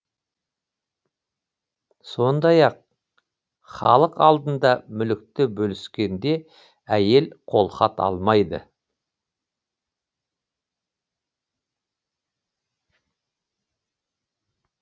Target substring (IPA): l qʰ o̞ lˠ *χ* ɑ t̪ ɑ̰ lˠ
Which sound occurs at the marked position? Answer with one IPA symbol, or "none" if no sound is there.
χ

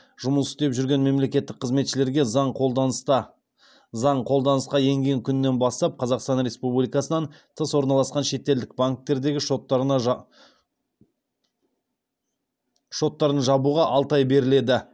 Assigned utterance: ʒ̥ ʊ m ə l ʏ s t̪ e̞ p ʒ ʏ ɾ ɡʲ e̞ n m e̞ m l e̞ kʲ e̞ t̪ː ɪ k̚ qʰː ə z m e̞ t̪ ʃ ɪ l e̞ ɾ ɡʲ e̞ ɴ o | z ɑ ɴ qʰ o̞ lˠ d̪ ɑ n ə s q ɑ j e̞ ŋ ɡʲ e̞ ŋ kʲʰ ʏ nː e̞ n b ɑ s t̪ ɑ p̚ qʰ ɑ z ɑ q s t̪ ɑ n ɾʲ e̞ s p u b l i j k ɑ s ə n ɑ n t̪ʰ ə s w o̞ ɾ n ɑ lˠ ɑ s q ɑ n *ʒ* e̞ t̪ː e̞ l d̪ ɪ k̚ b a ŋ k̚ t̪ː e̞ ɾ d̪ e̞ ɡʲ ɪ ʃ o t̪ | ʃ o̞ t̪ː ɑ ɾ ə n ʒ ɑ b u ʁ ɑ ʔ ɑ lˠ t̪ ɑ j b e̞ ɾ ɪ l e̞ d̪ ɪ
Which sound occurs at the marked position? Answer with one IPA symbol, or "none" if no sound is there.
ʃ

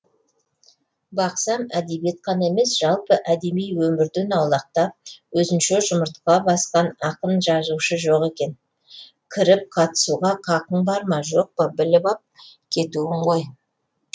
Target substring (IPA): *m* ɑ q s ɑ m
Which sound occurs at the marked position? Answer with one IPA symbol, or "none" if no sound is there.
b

